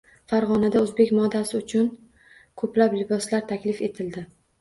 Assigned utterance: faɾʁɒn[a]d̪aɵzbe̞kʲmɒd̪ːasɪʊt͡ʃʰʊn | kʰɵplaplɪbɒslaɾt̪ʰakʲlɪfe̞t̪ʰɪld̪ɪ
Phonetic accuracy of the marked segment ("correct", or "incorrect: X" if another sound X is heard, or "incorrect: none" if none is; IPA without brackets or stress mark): correct